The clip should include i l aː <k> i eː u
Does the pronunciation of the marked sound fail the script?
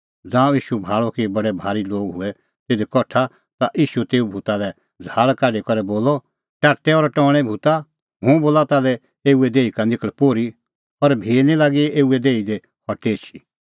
yes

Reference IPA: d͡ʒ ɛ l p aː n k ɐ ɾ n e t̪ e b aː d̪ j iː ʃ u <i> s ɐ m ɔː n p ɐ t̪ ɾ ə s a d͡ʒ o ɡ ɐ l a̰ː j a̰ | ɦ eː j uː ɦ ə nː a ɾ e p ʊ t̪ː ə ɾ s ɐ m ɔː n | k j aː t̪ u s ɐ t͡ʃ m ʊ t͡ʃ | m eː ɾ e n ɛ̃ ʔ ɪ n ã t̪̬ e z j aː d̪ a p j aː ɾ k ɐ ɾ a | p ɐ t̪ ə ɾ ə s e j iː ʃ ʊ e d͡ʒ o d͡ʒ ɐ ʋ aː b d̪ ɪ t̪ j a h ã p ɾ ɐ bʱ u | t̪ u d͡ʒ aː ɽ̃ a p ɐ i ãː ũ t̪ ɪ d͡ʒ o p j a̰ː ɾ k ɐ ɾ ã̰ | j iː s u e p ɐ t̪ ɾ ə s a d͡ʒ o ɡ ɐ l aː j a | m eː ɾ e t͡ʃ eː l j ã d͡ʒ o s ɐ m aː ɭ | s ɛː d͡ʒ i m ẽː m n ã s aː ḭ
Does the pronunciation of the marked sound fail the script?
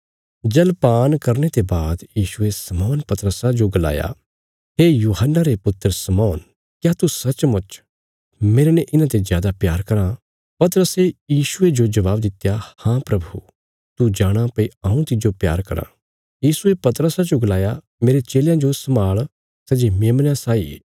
yes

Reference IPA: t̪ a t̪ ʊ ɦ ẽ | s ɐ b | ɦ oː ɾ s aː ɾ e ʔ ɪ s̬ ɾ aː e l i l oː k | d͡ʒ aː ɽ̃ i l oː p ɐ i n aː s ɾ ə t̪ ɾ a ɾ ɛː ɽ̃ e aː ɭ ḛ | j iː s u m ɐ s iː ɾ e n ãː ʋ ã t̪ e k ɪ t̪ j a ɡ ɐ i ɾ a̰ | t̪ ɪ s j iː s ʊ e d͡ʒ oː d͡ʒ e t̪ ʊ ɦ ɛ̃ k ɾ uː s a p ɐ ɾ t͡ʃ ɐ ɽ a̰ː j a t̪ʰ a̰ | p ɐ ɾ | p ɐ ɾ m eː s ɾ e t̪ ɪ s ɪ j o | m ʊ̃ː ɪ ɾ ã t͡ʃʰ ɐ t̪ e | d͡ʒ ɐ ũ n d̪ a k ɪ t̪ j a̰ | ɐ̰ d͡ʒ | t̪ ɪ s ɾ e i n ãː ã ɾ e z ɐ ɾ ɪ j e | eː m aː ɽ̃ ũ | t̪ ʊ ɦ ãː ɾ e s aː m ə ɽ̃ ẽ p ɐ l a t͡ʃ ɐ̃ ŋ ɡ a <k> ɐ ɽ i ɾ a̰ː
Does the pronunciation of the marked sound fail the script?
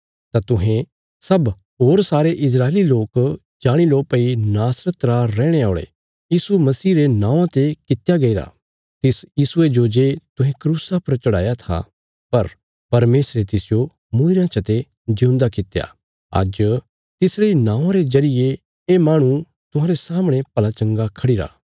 yes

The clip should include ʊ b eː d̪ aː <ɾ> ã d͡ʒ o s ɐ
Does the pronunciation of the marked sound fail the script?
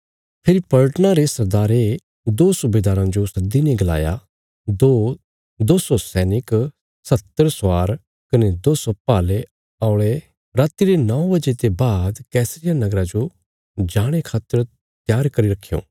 no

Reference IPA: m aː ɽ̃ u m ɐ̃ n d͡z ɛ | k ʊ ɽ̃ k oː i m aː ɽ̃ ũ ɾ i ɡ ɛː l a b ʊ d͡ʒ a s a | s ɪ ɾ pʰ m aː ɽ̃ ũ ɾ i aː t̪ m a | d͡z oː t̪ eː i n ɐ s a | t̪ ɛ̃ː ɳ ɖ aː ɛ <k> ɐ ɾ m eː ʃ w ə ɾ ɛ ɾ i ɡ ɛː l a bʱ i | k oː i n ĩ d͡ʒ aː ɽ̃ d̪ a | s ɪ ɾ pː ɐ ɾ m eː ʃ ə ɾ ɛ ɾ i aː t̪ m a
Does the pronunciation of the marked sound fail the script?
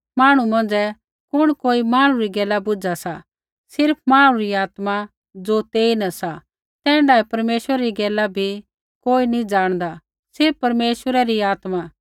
yes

